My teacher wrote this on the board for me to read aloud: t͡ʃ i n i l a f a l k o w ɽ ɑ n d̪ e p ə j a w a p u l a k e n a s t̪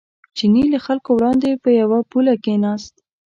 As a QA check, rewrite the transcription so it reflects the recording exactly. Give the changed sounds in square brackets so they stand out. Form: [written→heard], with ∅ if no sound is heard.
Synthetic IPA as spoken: t͡ʃ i n i l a [f→x] a l k o w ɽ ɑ n d̪ e p ə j a w a p u l a k e n [a→ɑ] s t̪